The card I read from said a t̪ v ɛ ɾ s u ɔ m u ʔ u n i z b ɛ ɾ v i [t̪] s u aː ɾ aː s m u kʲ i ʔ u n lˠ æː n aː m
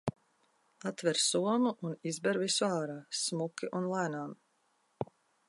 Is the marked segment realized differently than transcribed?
yes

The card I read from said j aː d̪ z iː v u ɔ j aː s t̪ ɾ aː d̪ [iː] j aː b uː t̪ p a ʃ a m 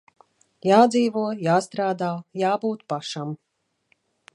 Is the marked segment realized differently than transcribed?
yes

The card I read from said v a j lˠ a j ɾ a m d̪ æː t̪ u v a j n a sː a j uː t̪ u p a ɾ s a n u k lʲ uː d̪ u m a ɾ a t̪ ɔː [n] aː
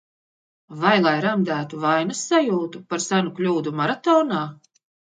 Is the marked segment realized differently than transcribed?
no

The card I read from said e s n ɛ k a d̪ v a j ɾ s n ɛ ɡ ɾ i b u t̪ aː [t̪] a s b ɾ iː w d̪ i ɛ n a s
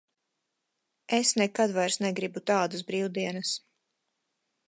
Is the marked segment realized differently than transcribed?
yes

